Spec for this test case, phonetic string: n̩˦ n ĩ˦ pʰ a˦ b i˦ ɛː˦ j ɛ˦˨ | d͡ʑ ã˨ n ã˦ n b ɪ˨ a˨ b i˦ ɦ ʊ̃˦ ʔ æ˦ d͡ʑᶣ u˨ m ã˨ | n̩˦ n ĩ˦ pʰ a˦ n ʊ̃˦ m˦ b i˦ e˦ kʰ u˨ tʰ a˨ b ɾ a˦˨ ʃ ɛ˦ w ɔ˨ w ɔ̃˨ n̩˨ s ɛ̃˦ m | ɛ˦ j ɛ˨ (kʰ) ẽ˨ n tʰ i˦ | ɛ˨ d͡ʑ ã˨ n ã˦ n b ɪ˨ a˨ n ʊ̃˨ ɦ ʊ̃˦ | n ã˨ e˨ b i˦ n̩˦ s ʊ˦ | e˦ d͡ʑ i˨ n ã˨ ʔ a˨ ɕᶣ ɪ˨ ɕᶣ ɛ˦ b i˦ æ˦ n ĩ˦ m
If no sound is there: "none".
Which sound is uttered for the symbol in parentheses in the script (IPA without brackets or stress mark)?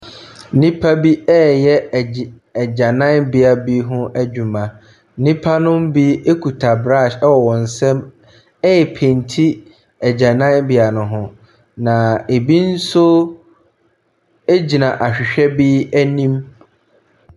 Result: pʰ